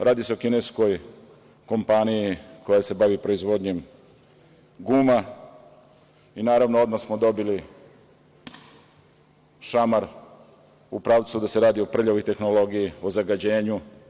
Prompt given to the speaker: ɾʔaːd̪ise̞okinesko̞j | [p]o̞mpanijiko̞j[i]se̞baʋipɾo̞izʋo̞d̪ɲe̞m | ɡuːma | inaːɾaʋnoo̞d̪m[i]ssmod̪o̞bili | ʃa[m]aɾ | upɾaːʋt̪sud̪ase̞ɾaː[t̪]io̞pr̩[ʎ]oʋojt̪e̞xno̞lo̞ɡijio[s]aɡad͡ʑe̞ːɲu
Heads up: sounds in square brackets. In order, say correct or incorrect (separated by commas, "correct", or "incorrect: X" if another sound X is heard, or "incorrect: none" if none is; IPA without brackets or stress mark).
incorrect: k, incorrect: a, incorrect: a, correct, incorrect: d̪, correct, incorrect: z